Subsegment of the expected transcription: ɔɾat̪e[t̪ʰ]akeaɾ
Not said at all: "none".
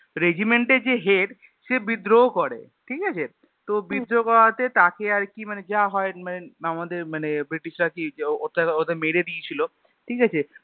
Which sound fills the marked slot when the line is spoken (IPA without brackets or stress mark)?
t̪